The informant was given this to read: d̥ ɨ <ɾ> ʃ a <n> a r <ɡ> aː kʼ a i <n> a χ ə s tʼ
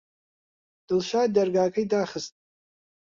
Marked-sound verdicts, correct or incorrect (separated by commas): incorrect, incorrect, correct, incorrect